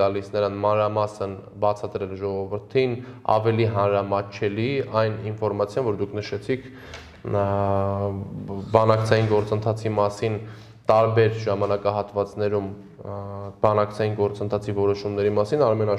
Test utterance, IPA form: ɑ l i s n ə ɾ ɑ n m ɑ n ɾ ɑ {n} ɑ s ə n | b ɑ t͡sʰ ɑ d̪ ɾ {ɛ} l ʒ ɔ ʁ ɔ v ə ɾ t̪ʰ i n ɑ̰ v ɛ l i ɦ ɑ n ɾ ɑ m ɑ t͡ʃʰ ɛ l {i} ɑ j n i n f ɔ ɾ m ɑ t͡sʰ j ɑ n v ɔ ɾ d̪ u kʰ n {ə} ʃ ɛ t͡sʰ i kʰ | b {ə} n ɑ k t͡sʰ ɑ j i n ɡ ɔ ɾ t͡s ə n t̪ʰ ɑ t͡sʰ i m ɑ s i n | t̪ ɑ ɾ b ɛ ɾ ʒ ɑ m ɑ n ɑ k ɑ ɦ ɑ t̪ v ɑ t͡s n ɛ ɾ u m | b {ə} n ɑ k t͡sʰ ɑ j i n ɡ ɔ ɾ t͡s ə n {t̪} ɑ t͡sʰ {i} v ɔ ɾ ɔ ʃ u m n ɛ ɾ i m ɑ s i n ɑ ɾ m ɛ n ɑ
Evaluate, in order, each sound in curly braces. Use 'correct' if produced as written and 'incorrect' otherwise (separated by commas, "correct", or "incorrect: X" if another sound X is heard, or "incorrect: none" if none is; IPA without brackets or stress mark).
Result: incorrect: m, correct, correct, correct, incorrect: ɑ, incorrect: ɑ, incorrect: t̪ʰ, correct